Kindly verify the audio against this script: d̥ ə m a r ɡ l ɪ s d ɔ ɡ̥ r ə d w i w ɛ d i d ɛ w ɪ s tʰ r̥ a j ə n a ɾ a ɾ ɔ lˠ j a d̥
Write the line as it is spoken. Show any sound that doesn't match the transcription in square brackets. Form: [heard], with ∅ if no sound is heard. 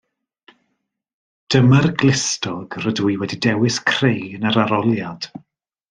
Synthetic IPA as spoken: d̥ ə m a r ɡ l ɪ s [t] ɔ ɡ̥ r ə d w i w ɛ d i d ɛ w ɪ s [kʰ] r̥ [e] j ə n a ɾ a ɾ ɔ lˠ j a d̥